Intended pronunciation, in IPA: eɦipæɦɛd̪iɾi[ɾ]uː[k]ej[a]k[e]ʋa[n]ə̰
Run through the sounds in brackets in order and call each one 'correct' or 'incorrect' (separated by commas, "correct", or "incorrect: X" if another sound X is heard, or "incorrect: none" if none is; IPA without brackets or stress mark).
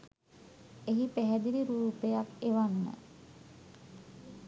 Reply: correct, incorrect: p, correct, correct, incorrect: nː